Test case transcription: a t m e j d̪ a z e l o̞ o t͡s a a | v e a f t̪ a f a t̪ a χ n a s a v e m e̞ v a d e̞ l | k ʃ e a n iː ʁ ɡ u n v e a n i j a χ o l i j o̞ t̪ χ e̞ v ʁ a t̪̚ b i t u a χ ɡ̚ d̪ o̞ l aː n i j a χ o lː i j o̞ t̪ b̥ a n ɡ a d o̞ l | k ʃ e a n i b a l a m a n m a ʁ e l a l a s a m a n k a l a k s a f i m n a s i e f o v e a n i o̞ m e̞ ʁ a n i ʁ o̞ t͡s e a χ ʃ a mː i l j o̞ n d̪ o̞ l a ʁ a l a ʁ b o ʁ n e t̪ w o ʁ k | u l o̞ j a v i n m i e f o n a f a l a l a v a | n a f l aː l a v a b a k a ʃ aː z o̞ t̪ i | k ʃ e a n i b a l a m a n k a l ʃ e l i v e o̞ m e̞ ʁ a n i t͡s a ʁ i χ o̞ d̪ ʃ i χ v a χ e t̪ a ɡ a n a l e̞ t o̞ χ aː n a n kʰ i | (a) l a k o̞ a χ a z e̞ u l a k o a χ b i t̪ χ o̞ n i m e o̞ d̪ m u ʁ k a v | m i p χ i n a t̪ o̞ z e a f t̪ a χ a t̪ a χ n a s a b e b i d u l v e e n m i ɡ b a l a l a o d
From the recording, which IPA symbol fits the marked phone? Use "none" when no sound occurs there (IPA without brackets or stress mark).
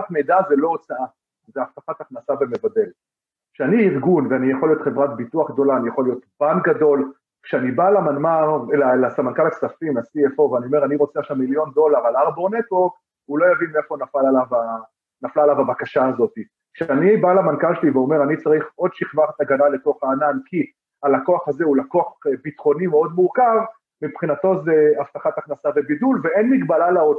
a